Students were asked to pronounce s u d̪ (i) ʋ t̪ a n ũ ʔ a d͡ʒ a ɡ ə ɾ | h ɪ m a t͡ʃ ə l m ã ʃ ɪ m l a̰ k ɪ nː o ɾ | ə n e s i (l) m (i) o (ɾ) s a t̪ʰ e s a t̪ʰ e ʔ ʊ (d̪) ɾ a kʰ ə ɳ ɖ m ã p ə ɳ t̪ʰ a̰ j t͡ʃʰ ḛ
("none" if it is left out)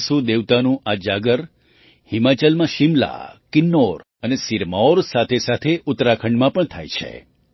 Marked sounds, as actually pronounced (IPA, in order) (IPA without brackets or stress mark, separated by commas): e, ɾ, a, ɾ, t̪